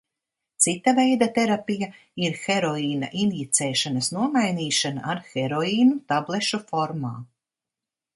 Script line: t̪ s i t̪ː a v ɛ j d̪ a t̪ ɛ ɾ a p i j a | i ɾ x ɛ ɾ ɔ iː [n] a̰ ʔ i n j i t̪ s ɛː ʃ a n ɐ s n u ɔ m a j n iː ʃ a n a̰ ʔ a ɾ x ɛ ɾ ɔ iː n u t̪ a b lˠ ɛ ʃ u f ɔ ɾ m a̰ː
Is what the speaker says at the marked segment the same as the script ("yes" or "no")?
yes